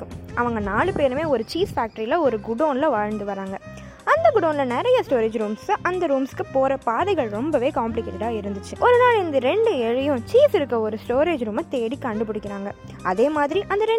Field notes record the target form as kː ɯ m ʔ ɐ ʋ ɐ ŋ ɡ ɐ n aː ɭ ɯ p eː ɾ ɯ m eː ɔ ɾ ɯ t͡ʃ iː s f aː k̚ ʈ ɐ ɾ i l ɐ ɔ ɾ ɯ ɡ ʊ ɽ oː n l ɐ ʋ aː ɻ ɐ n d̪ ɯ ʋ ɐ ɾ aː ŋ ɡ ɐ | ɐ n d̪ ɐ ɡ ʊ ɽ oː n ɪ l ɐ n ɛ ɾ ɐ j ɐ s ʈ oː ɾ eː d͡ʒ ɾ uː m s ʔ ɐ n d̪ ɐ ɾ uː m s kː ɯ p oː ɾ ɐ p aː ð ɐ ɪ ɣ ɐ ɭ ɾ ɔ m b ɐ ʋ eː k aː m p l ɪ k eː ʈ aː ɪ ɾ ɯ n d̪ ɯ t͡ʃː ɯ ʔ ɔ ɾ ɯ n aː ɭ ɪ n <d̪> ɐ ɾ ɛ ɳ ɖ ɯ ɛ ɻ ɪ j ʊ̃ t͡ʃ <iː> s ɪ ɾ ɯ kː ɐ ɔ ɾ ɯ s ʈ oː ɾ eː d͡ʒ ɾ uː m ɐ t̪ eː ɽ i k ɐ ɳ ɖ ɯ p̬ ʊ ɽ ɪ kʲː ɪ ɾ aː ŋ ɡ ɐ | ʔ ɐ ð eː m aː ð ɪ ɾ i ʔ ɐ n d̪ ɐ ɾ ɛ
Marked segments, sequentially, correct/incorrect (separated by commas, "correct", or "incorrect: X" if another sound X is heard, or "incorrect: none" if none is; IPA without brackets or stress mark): correct, correct